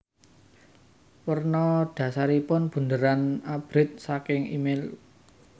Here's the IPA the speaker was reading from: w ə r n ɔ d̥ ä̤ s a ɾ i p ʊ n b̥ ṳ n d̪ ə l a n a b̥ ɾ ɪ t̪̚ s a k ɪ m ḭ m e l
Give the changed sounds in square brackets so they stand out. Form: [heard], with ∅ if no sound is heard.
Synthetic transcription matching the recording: w ə r n ɔ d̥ ä̤ s a ɾ i p ʊ n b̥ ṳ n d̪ ə [ɾ] a n a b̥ ɾ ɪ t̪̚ s a k ɪ [ŋ] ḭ m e l